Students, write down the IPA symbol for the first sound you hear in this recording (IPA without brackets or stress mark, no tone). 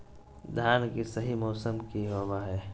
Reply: d̪ʱ